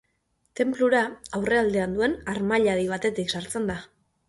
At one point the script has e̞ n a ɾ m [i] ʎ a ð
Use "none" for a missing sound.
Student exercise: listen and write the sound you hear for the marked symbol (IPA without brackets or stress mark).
a